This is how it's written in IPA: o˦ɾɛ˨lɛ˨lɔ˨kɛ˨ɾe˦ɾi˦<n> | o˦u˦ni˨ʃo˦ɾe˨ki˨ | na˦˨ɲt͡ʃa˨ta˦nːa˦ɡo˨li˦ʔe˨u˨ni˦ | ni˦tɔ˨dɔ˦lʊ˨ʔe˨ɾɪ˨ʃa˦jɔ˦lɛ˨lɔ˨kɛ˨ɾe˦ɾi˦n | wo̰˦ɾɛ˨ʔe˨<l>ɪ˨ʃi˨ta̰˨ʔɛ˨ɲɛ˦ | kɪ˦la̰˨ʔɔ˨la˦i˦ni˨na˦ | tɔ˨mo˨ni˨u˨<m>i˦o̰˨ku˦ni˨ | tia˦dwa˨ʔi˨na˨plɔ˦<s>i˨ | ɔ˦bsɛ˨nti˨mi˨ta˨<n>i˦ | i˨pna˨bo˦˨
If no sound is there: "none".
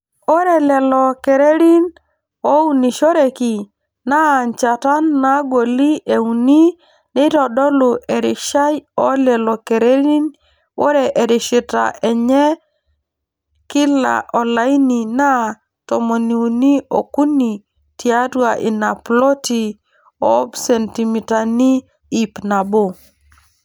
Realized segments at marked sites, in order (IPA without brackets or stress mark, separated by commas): n, ɾ, n, t, n